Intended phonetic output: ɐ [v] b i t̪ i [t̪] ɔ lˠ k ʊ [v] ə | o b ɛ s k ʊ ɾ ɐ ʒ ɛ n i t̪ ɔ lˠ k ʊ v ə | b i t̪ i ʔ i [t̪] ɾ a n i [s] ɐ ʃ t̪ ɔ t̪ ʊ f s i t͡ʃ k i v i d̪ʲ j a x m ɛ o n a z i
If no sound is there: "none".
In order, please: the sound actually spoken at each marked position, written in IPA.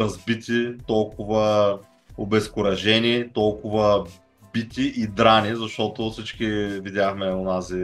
z, t̪, v, d̪, z

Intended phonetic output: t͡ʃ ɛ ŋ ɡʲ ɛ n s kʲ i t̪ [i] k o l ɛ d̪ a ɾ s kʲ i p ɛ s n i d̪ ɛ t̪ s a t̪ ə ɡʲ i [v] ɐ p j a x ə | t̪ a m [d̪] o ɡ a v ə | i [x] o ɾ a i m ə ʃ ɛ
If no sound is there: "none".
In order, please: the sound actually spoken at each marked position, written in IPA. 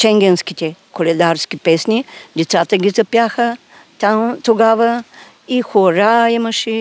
ɛ, z, t̪, x

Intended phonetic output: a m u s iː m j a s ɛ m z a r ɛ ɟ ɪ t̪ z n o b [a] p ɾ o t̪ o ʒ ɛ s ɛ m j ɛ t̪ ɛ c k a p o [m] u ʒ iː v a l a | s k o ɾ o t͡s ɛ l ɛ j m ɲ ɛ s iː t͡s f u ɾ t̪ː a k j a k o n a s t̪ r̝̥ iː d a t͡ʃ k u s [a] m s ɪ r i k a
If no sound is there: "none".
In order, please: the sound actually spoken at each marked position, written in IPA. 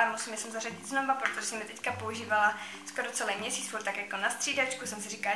a, none, ɛ

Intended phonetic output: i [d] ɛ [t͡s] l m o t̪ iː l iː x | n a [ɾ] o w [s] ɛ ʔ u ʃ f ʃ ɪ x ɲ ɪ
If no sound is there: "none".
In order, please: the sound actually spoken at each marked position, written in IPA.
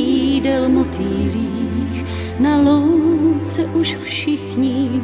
d, none, l, t͡s

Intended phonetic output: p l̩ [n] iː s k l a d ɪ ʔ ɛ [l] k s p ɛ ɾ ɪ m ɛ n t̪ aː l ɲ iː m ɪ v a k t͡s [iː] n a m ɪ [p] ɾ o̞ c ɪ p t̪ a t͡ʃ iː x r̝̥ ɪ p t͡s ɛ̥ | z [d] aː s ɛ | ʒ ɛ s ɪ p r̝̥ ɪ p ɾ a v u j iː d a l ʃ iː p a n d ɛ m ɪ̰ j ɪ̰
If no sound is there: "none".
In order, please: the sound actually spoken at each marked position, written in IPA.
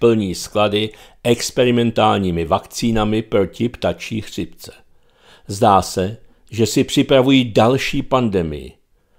ɲ, none, iː, p, d

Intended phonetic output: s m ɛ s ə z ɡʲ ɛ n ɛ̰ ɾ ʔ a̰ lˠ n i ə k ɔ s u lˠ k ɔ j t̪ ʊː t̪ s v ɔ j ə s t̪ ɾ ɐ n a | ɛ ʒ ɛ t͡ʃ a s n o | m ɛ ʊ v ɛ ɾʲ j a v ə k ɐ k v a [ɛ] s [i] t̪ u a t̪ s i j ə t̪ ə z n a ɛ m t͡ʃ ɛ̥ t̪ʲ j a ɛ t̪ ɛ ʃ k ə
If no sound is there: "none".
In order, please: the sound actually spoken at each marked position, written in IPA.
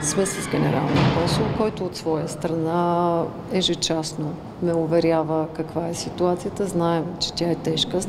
ɛ, i

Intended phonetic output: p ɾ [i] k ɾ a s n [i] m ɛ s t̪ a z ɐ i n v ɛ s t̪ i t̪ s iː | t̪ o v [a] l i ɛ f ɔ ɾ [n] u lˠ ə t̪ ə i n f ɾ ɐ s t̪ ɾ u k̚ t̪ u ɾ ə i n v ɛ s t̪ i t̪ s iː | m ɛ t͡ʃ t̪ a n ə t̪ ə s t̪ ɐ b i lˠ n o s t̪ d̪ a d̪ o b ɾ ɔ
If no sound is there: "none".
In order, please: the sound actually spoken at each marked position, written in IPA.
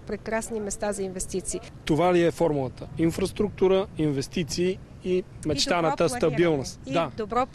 ɛ, i, a, m

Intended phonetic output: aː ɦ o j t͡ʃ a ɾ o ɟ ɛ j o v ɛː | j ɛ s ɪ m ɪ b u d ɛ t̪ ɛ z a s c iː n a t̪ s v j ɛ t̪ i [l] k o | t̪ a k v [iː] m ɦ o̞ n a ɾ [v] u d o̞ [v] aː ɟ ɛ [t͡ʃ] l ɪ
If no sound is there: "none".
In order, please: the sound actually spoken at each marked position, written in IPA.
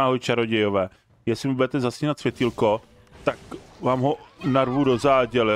l, aː, v, z, none

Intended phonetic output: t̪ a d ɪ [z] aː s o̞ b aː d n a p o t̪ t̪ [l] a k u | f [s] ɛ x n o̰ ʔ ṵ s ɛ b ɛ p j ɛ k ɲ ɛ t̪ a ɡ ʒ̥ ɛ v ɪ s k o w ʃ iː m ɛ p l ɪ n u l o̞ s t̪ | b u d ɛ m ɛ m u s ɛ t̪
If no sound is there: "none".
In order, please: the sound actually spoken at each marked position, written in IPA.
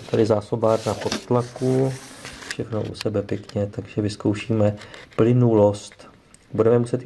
z, l, ʃ

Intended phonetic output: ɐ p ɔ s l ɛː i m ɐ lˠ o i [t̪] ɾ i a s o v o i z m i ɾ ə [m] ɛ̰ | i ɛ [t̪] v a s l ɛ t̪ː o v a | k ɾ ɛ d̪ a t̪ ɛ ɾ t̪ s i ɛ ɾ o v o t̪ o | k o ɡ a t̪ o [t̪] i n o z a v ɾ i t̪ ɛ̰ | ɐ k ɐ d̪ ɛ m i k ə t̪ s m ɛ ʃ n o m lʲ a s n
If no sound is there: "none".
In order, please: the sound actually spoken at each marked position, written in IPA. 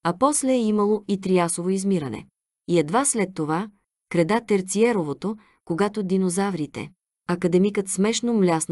t̪, n, d̪, d̪

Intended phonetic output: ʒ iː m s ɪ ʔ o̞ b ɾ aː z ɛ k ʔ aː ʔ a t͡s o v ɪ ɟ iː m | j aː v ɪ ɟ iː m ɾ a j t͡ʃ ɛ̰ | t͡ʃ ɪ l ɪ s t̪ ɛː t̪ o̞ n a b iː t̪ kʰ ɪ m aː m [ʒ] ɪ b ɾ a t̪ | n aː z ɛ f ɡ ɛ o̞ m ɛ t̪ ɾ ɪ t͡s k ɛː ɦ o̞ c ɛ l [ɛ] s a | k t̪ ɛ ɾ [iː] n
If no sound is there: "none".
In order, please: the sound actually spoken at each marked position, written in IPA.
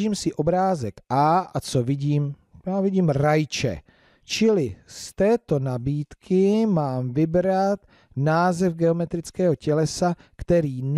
v, ɛ, iː

